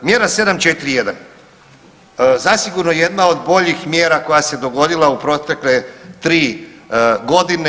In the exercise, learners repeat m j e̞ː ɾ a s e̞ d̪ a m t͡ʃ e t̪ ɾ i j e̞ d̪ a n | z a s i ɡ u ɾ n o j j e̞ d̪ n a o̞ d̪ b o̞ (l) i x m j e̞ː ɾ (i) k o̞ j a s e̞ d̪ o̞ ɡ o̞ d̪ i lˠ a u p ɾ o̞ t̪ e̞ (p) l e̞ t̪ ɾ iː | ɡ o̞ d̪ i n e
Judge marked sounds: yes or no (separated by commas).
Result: no, no, no